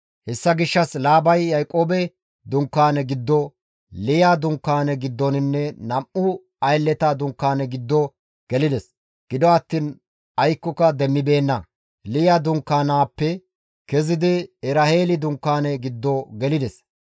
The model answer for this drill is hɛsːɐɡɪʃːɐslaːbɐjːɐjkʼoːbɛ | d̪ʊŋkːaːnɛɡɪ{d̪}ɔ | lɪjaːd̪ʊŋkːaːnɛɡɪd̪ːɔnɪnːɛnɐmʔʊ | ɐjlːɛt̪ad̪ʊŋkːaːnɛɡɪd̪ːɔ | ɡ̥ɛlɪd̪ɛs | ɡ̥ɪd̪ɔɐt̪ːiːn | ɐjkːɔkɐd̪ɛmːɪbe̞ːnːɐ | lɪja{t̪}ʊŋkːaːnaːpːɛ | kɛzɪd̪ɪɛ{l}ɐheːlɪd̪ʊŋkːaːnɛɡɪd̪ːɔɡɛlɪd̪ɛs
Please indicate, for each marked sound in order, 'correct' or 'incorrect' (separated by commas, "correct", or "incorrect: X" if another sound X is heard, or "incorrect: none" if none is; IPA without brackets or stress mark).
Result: incorrect: d̪ː, incorrect: d̪, incorrect: ɾ